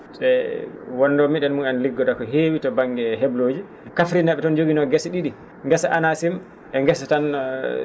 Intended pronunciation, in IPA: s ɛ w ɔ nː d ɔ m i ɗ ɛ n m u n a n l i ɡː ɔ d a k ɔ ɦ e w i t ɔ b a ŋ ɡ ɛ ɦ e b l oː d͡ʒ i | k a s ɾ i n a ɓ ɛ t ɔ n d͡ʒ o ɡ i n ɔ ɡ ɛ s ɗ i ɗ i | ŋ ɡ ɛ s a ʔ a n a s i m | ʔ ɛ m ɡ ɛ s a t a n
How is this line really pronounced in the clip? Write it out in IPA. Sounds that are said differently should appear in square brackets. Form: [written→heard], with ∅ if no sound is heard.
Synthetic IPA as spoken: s ɛ w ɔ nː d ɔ m i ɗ ɛ n m u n a n l i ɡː ɔ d a k ɔ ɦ e w i t ɔ b a ŋ ɡ ɛ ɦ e b l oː d͡ʒ i | k a [s→f] ɾ i n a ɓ ɛ t ɔ n d͡ʒ o ɡ i n ɔ ɡ ɛ s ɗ i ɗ i | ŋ ɡ ɛ s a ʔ a n a s i m | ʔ ɛ [m→ŋ] ɡ ɛ s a t a n